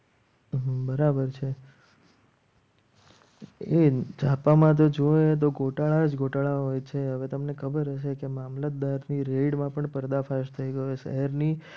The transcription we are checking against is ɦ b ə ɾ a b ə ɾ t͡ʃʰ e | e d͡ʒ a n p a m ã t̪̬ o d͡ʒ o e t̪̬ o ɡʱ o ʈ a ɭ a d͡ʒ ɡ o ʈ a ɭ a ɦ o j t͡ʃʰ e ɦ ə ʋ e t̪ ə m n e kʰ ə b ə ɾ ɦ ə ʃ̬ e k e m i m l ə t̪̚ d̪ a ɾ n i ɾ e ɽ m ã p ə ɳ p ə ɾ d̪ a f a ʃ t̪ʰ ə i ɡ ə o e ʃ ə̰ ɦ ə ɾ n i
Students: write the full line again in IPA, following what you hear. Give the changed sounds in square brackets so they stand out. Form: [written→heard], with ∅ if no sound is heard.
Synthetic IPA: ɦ b ə ɾ a b ə ɾ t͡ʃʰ e | e d͡ʒ a [n→∅] p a m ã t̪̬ o d͡ʒ o e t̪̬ o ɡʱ o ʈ a ɭ a d͡ʒ ɡ o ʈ a ɭ a ɦ o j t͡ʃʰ e ɦ ə ʋ e t̪ ə m n e kʰ ə b ə ɾ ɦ ə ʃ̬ e k e m [i→a] m l ə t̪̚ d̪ a ɾ n i ɾ e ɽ m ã p ə ɳ p ə ɾ d̪ a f a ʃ t̪ʰ ə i ɡ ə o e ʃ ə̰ ɦ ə ɾ n i